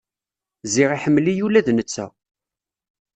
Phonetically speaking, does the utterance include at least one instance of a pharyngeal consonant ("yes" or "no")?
yes